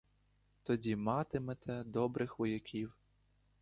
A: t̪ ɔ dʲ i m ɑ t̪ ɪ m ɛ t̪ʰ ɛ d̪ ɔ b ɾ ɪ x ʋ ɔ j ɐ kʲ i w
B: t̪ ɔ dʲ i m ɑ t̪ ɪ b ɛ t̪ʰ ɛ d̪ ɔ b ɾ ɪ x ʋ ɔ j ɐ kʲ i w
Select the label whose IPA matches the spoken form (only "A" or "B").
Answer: A